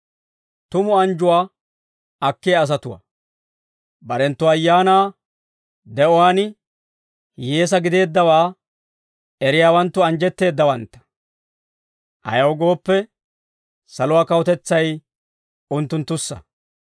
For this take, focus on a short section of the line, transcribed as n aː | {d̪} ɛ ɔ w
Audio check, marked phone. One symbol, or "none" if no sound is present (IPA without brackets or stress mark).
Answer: d̪